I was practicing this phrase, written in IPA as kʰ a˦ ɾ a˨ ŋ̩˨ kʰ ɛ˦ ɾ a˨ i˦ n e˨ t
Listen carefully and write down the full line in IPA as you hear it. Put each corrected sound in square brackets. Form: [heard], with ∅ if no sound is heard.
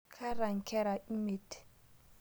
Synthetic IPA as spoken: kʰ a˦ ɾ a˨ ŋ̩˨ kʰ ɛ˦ ɾ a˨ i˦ [m] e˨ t